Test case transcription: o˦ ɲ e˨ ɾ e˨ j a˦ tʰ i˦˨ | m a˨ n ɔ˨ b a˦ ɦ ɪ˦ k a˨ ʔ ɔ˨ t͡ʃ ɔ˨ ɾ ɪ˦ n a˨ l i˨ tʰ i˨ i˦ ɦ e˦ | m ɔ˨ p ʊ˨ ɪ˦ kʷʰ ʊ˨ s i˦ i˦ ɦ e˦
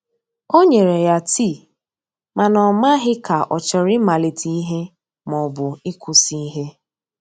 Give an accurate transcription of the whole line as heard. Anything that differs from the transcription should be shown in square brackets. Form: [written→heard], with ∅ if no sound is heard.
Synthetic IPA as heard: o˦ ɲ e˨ ɾ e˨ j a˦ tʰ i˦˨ | m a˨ n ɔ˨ [b→m] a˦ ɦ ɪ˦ k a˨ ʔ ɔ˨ t͡ʃ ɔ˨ ɾ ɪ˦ [n→m] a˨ l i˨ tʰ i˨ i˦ ɦ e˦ | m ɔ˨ [p→b] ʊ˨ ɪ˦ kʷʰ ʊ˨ s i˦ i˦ ɦ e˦